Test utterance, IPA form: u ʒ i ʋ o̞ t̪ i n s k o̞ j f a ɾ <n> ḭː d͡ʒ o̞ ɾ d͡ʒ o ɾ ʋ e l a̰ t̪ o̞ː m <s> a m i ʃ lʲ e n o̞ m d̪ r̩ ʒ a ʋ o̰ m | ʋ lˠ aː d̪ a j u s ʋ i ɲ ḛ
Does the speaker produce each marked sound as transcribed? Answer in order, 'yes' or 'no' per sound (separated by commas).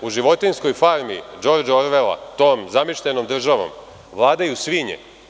no, no